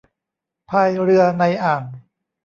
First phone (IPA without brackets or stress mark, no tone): pʰ